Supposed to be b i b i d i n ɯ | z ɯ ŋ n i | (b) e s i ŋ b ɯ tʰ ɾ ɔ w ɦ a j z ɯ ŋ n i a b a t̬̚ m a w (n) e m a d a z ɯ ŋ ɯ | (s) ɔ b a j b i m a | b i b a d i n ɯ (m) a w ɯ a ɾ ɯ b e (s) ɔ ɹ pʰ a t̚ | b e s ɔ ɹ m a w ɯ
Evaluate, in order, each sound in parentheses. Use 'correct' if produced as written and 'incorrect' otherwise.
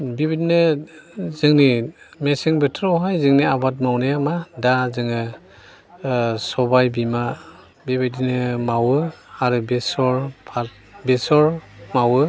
incorrect: m, correct, correct, correct, correct

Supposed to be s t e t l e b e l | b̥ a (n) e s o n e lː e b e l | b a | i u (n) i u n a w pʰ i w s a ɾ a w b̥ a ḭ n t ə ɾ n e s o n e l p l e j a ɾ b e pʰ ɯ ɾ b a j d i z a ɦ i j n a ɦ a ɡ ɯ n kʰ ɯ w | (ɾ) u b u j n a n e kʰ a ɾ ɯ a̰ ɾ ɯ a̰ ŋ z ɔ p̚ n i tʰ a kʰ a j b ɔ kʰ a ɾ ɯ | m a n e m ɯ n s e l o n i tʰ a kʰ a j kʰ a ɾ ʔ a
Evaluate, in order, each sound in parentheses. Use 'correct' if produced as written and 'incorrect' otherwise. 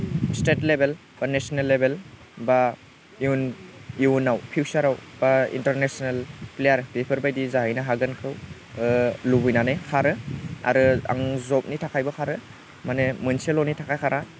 correct, correct, incorrect: l

